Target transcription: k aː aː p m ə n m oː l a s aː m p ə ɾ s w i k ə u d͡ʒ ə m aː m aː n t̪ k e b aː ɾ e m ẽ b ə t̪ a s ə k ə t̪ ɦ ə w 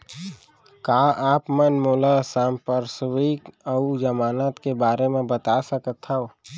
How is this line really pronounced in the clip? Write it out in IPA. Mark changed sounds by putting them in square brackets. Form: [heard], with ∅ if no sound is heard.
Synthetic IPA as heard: k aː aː p m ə n m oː l a s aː m p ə ɾ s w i k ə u d͡ʒ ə m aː [n] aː [∅] t̪ k e b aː ɾ e m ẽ b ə t̪ a s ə k ə t̪ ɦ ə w